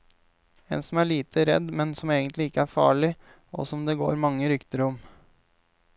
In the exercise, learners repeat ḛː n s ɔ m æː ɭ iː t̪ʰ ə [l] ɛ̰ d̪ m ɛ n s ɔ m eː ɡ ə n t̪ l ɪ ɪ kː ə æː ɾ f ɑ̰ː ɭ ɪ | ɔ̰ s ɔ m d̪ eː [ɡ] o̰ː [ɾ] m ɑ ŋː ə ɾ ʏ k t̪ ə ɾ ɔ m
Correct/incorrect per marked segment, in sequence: incorrect, correct, correct

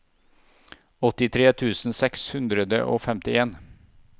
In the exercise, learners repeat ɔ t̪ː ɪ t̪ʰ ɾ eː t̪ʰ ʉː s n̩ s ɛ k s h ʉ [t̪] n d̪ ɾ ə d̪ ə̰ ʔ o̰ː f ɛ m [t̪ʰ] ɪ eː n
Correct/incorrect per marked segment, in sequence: incorrect, incorrect

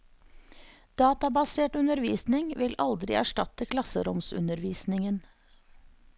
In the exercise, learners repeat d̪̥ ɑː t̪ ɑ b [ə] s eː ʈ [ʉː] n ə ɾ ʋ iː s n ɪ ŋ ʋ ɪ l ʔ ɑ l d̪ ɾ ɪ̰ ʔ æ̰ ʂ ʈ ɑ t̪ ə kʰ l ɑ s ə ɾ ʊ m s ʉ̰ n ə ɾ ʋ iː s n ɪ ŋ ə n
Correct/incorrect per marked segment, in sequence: incorrect, incorrect

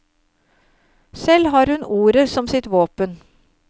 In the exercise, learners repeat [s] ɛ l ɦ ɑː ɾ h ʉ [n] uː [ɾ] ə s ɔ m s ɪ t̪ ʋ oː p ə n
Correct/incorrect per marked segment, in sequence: correct, correct, correct

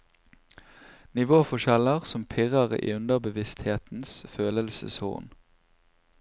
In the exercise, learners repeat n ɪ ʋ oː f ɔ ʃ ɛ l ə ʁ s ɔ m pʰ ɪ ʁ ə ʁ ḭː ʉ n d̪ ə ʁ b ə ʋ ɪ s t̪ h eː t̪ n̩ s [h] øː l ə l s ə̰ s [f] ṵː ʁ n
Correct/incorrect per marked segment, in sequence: incorrect, incorrect

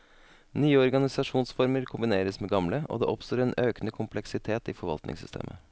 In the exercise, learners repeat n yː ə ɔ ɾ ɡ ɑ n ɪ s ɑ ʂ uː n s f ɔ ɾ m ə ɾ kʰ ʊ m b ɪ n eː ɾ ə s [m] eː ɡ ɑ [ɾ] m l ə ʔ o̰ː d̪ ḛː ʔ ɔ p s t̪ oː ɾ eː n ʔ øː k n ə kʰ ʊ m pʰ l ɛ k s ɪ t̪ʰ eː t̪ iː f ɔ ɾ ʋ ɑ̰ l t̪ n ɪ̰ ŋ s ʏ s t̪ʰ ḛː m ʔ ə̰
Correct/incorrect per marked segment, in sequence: correct, incorrect

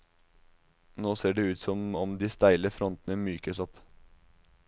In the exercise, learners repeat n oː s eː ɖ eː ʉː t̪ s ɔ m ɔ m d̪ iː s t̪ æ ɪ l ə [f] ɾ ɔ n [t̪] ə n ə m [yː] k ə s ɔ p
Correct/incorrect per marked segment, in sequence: correct, correct, correct

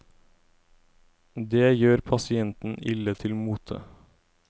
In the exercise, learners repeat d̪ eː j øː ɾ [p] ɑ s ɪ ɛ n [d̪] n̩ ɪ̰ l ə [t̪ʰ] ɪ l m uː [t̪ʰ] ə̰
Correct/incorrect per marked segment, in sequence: incorrect, incorrect, correct, correct

